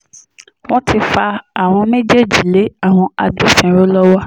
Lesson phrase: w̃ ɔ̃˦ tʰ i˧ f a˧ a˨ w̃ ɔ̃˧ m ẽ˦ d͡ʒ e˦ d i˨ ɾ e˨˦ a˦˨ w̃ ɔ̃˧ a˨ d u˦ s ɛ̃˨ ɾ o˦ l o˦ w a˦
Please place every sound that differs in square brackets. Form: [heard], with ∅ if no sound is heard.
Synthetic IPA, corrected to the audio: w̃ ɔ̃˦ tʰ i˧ f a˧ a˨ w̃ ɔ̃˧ m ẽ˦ d͡ʒ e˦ [d͡ʒ] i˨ [l] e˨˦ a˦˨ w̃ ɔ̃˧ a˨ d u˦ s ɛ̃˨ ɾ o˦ l [ɔ˦] w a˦